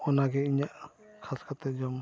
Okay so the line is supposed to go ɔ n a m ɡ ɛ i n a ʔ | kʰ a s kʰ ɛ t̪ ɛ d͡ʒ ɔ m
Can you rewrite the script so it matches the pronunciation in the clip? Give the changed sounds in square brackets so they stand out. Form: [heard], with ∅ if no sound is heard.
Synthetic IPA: ɔ n a [∅] ɡ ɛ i [ɲ] a ʔ | kʰ a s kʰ [a] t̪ ɛ d͡ʒ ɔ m